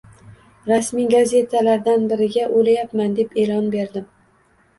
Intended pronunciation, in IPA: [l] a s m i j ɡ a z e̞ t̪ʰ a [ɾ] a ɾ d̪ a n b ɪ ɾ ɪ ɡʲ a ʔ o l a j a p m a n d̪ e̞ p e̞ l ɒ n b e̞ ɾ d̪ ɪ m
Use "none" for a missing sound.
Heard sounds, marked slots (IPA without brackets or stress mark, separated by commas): ɾ, l